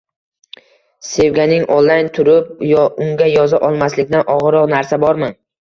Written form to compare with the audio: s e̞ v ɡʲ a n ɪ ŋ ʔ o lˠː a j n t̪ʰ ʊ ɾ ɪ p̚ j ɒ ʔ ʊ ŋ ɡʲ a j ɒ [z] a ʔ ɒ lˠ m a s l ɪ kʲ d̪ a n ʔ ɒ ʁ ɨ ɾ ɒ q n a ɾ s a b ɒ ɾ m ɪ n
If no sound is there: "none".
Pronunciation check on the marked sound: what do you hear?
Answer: z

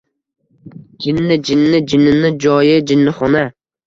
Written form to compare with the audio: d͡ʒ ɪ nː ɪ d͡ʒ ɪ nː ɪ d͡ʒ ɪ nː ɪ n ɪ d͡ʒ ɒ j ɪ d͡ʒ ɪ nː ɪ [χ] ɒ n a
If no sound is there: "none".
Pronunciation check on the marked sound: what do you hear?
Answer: χ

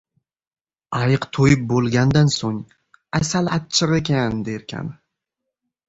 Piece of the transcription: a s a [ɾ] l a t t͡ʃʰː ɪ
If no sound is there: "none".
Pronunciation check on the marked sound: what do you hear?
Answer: none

